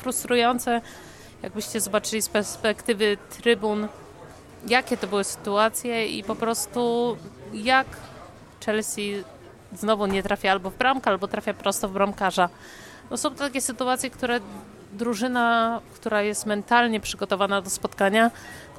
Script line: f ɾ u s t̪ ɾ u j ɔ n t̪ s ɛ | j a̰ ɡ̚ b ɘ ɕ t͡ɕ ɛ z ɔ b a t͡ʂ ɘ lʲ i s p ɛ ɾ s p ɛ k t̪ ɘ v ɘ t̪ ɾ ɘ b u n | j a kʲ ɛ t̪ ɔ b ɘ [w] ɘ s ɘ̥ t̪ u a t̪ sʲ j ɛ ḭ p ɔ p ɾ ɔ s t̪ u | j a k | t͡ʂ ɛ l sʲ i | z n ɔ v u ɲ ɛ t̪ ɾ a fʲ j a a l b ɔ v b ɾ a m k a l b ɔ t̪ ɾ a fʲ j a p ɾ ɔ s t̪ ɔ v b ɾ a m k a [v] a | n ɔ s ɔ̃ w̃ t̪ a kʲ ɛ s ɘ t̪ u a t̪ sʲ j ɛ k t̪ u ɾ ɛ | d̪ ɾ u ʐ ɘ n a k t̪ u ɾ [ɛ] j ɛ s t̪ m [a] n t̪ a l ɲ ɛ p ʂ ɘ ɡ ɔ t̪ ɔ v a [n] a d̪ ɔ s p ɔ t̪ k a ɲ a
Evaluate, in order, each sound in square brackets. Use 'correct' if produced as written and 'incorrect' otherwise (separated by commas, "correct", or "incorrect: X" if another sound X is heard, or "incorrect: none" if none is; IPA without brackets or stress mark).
correct, incorrect: ʐ, incorrect: a, incorrect: ɛ, correct